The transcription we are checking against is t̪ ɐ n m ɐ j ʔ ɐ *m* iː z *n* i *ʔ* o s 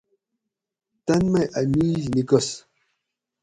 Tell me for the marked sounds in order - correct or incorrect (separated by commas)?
correct, correct, incorrect